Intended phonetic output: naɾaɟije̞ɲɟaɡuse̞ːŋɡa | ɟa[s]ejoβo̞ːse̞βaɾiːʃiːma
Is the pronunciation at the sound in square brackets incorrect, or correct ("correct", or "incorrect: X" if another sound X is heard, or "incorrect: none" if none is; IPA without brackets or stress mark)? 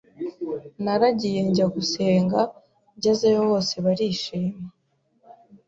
incorrect: z